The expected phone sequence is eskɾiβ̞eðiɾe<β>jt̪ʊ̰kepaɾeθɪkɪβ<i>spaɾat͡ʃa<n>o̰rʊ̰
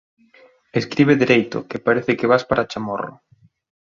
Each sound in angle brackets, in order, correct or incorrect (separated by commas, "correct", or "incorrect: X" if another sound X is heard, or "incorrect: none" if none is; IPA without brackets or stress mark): incorrect: none, incorrect: a, incorrect: m